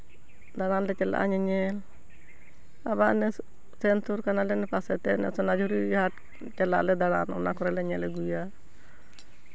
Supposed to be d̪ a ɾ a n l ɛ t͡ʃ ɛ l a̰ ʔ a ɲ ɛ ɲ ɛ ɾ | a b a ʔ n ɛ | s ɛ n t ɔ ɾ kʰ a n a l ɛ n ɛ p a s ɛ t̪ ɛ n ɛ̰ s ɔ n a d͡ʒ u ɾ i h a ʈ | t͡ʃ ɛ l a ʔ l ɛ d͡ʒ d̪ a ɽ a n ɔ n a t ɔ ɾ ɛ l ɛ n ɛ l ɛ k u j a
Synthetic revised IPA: d̪ a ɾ a n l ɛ t͡ʃ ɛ l a̰ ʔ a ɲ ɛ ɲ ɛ l | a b a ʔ n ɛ | s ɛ n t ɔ ɾ k a n a l ɛ n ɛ p a s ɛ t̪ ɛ n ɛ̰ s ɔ n a d͡ʒ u ɾ i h a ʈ | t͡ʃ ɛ l a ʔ l ɛ d̪ a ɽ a n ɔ n a k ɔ ɾ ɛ l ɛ ɲ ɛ l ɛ ɡ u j a